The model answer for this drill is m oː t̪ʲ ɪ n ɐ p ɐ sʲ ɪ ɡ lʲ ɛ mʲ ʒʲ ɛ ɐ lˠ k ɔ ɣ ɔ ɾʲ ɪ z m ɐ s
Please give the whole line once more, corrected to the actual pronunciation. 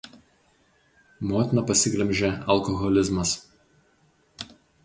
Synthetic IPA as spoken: m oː t̪ʲ ɪ n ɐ p ɐ sʲ ɪ ɡ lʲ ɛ mʲ ʒʲ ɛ ɐ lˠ k ɔ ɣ ɔ lʲ ɪ z m ɐ s